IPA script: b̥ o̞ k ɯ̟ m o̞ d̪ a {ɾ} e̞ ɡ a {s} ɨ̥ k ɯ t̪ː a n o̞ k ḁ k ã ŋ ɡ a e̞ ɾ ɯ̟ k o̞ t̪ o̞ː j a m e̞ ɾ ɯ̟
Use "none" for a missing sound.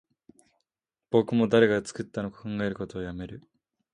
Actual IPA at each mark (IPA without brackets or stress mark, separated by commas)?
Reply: ɾ, t͡s